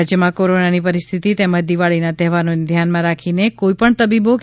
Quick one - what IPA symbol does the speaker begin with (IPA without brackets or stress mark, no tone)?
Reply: d͡ʒ